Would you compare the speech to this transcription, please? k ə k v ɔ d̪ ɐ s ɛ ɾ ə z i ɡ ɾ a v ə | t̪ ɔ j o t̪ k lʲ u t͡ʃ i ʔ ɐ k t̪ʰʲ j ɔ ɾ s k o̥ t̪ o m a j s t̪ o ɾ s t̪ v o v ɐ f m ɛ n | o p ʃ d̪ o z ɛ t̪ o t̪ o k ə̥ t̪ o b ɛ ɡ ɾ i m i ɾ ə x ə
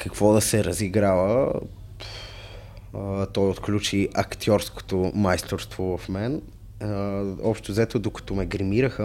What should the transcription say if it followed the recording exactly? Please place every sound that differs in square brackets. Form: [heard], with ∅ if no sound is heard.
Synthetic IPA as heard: k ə k v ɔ d̪ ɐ s ɛ ɾ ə z i ɡ ɾ a v ə | t̪ ɔ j o t̪ k lʲ u t͡ʃ i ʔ ɐ k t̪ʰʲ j ɔ ɾ s k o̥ t̪ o m a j s t̪ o ɾ s t̪ v o v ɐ f m ɛ n | [ɔ] p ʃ [t̪] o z ɛ t̪ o [d̪] o k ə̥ t̪ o [m] ɛ ɡ ɾ i m i ɾ ə x ə